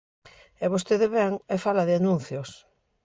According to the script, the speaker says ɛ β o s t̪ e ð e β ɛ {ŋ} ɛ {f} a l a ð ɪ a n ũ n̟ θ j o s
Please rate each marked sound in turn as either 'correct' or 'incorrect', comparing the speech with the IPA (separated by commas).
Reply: correct, correct